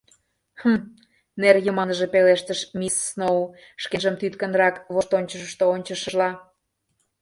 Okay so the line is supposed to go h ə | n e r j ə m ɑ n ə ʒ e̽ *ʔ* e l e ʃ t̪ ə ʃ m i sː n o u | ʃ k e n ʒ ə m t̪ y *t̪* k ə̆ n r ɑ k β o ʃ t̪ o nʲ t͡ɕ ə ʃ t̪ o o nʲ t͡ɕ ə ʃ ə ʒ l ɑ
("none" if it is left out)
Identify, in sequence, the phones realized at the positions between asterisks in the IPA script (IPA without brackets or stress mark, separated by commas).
p, t̪